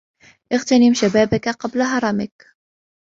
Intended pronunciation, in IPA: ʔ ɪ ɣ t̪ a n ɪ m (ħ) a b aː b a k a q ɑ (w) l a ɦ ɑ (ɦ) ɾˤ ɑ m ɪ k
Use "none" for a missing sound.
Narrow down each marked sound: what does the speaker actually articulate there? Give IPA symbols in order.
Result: ʃ, b, none

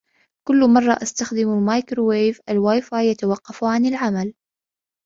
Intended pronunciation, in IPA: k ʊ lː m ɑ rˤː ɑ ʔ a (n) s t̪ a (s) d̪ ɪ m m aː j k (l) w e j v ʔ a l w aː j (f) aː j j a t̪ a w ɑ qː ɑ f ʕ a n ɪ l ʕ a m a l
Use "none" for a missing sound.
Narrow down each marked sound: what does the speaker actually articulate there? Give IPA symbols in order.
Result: none, x, ɾ, f

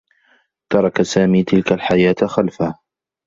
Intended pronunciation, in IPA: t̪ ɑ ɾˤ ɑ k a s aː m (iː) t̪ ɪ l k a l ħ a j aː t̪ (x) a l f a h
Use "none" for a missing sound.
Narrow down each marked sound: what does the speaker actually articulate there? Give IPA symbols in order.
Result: iː, x

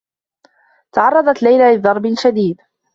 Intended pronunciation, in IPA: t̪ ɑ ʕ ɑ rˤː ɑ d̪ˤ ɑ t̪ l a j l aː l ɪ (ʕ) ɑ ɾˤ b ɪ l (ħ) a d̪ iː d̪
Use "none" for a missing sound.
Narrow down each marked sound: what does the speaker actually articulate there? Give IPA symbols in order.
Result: ð, ʃ

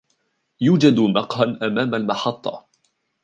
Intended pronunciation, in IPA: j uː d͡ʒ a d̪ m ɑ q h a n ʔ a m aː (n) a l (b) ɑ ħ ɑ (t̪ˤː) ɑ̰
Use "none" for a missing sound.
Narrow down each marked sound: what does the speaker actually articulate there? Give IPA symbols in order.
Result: m, m, t̪ˤː

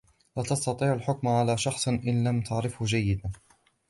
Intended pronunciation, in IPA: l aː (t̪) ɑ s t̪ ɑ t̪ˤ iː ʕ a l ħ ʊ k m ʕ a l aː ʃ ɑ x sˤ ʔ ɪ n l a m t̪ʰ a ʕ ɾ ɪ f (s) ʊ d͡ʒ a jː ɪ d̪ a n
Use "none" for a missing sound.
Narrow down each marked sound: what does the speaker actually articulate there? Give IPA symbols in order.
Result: t̪, h

